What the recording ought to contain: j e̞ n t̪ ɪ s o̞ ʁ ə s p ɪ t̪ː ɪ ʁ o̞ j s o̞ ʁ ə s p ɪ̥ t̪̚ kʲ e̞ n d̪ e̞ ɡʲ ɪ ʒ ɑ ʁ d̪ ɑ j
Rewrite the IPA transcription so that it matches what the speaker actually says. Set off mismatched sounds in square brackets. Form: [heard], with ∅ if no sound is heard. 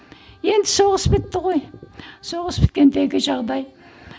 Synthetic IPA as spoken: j e̞ n [d̪] ɪ s o̞ ʁ ə s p ɪ t̪ː ɪ ʁ o̞ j s o̞ ʁ ə s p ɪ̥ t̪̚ kʲ e̞ n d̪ e̞ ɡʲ ɪ ʒ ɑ ʁ d̪ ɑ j

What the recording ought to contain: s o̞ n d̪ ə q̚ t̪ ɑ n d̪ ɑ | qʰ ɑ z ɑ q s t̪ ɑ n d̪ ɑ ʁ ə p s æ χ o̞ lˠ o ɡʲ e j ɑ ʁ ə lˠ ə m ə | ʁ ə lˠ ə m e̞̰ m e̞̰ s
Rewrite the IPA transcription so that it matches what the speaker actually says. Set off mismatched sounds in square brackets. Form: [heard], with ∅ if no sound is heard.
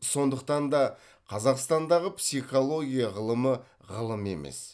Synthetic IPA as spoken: s o̞ n d̪ ə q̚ t̪ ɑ n d̪ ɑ | qʰ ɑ z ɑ q s t̪ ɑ n d̪ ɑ ʁ ə p s [i] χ o̞ lˠ o ɡʲ [i] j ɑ ʁ ə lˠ ə m ə | ʁ ə lˠ ə m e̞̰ m e̞̰ s

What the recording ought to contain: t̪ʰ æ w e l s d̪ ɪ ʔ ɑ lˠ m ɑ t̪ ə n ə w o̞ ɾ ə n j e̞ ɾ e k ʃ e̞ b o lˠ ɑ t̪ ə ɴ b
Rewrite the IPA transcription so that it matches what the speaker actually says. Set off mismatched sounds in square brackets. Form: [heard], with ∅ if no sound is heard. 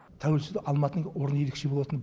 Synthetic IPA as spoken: t̪ʰ æ w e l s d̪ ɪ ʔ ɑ lˠ m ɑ t̪ ə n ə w o̞ ɾ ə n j e̞ ɾ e k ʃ e̞ b o lˠ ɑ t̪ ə [n] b

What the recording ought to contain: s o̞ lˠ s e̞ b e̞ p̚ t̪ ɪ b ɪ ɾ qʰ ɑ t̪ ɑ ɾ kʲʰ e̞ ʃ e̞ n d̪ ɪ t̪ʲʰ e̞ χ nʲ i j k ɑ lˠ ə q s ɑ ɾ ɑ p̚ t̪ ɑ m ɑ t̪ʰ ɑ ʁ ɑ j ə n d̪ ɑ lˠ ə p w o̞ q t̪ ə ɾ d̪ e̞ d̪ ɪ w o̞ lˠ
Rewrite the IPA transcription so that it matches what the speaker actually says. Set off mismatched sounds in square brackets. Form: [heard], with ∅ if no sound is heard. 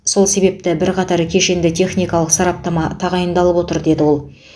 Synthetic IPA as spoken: s o̞ lˠ s e̞ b e̞ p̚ t̪ ɪ b ɪ ɾ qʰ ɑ t̪ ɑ ɾ kʲʰ e̞ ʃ e̞ n d̪ ɪ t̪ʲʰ e̞ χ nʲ i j k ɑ lˠ ə q s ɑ ɾ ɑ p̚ t̪ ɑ m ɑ t̪ʰ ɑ ʁ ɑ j ə n d̪ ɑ lˠ ə p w o̞ [∅] t̪ ə ɾ d̪ e̞ d̪ ɪ w o̞ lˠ

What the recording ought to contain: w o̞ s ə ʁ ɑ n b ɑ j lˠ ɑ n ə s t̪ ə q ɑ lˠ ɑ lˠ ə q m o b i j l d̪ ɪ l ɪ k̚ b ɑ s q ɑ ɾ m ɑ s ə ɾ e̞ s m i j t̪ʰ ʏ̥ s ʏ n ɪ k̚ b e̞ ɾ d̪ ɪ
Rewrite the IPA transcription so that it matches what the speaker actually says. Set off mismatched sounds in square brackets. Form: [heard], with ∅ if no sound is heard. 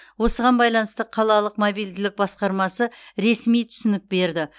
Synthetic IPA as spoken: w o̞ s ə ʁ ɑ n b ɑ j lˠ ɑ n ə s t̪ ə [qʰ] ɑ lˠ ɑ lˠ ə q m o b i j l d̪ ɪ l ɪ k̚ b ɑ s q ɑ ɾ m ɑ s ə ɾ e̞ s m i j t̪ʰ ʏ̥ s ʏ n ɪ k̚ b e̞ ɾ d̪ ɪ

